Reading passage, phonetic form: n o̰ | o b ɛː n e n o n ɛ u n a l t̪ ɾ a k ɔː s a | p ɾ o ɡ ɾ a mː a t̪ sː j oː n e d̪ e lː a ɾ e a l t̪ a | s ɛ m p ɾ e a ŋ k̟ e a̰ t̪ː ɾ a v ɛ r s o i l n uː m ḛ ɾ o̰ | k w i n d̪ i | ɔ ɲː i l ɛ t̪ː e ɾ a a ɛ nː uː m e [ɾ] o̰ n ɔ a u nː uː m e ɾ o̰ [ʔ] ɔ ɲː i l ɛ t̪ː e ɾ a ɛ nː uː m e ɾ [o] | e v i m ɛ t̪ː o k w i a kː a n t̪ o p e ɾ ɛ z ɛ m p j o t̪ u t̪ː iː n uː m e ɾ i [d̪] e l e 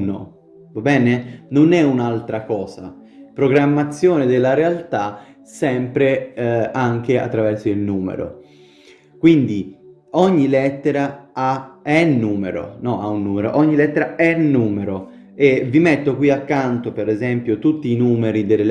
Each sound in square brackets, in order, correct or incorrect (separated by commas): correct, correct, correct, correct